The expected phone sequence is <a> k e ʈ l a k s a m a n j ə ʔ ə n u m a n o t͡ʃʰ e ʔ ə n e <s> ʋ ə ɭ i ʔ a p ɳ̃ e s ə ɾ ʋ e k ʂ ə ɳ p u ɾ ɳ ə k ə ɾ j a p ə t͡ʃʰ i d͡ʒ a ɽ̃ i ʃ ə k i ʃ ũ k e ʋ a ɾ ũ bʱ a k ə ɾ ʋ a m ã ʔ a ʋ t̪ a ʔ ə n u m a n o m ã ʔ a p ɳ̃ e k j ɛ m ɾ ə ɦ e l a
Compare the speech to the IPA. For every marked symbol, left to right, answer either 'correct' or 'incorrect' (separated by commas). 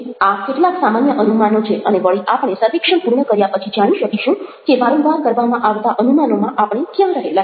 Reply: correct, incorrect